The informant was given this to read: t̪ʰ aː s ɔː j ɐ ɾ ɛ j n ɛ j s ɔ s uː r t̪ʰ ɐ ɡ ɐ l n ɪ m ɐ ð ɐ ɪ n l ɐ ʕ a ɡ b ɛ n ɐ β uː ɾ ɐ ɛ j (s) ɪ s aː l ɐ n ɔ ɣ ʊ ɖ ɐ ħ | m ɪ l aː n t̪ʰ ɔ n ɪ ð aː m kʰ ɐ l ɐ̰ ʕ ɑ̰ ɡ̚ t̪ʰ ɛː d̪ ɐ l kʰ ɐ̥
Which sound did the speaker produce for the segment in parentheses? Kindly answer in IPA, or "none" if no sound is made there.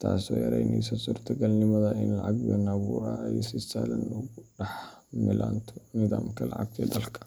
s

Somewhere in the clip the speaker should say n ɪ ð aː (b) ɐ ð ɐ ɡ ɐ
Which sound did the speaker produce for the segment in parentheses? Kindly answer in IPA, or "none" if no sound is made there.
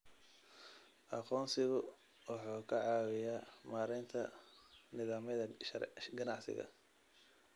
m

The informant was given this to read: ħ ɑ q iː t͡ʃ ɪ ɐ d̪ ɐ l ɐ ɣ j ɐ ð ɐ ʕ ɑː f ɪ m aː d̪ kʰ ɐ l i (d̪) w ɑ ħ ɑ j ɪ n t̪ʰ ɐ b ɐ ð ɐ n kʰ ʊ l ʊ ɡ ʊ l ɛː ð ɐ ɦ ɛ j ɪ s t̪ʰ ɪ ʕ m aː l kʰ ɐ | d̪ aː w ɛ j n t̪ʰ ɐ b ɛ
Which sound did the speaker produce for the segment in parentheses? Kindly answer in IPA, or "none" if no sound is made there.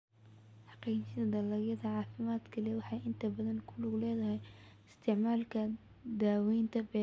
none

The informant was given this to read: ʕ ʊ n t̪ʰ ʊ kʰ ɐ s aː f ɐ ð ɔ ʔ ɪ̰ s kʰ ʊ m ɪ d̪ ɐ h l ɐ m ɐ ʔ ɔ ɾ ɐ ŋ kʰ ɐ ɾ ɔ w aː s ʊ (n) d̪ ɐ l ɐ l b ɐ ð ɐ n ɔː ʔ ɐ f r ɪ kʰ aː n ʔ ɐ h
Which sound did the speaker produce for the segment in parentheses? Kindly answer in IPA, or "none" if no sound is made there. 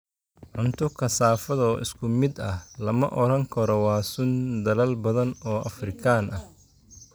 n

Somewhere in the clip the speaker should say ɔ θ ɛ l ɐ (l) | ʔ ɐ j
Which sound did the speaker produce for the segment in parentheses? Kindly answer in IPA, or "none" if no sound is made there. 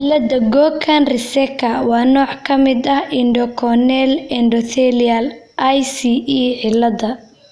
l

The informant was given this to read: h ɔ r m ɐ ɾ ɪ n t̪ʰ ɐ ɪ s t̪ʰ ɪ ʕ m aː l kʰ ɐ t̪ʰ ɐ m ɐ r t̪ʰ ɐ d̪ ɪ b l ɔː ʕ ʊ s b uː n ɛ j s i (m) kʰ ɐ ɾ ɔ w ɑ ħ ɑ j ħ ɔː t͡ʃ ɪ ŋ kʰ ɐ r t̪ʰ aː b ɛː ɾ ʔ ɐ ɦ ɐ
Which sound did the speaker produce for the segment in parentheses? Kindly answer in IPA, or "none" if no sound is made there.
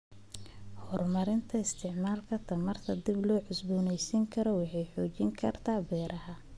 ŋ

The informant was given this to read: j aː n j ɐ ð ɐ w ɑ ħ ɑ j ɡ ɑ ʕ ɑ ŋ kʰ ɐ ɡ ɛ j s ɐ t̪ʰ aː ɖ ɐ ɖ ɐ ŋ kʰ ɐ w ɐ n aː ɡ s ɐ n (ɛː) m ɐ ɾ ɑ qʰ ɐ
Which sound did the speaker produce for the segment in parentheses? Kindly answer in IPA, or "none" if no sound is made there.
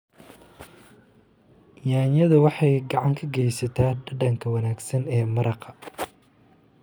ɛː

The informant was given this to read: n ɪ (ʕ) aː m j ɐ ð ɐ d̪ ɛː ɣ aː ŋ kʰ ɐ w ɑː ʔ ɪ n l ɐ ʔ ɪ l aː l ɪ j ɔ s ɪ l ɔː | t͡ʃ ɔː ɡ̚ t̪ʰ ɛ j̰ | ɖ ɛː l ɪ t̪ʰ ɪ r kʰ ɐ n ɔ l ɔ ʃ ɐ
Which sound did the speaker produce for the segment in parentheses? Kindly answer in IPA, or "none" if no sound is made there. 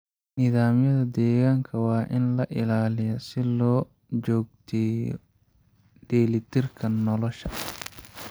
ð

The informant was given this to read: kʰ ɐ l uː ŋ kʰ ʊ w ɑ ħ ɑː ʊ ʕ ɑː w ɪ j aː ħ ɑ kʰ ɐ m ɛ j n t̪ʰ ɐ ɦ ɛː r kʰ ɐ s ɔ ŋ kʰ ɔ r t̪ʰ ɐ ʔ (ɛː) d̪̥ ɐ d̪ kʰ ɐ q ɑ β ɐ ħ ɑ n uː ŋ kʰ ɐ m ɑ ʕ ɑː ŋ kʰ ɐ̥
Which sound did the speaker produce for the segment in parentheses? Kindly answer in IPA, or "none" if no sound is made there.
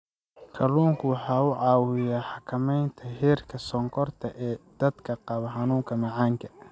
ɛː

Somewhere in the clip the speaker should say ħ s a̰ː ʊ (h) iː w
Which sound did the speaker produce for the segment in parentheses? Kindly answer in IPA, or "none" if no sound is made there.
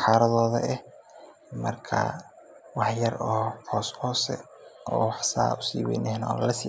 s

